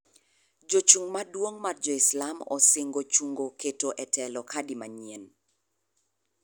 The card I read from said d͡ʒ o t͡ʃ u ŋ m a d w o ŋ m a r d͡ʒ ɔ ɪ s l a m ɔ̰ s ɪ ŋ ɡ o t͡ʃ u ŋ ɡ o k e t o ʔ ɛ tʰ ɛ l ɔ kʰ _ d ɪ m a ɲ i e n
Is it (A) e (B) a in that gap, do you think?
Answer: B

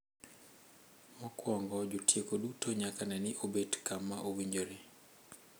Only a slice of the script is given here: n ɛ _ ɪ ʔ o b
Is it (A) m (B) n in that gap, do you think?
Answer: B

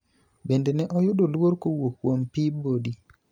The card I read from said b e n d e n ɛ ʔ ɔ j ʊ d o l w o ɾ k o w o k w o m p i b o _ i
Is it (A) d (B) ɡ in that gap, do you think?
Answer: A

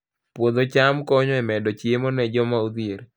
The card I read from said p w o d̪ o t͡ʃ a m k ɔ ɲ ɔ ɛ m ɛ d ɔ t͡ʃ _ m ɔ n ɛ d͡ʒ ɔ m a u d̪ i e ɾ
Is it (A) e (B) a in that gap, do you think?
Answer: A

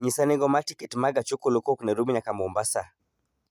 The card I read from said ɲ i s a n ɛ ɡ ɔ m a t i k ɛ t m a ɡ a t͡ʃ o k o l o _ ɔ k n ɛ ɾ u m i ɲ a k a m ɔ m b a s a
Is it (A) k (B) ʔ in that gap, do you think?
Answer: A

